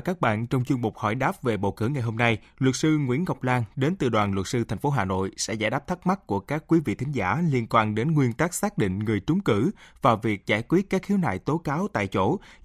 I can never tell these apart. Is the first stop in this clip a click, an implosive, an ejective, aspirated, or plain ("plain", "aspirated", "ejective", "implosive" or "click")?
plain